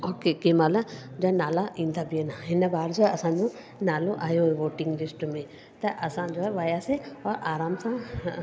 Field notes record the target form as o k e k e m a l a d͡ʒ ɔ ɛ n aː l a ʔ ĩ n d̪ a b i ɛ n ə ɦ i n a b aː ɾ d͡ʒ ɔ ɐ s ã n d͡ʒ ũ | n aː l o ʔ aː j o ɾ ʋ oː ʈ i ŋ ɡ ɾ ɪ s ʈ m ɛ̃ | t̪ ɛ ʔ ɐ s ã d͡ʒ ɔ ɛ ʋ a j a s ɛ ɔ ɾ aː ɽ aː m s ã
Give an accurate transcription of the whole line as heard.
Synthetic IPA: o k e k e m a l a d͡ʒ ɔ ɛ n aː l a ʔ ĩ n d̪ a b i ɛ n a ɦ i n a b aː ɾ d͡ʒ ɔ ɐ s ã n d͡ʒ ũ | n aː l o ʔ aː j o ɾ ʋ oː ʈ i ŋ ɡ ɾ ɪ s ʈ m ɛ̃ | t̪ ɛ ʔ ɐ s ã d͡ʒ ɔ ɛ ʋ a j a s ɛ ɔ ɾ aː ɾ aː m s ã